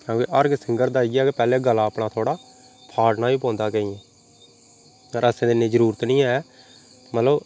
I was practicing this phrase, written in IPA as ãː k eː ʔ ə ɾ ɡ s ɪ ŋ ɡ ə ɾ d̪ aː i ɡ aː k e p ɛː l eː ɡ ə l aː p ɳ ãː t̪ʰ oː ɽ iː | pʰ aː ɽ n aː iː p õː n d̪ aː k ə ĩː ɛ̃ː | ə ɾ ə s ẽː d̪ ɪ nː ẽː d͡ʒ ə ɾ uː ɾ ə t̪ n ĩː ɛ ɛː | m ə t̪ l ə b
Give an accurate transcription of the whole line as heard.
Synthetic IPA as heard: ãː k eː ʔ ə ɾ ɡ s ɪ ŋ ɡ ə ɾ d̪ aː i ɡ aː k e p ɛː l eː ɡ ə l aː p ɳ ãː t̪ʰ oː ɽ aː | pʰ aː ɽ n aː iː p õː n d̪ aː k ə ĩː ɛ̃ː | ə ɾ ə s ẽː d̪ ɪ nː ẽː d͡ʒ ə ɾ uː ɾ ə t̪ n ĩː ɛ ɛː | m ə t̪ l ə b